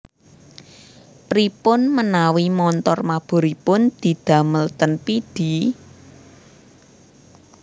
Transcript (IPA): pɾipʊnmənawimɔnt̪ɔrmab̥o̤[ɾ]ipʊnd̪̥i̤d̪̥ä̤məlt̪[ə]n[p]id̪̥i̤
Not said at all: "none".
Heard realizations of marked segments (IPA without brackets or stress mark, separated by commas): ɾ, ə, p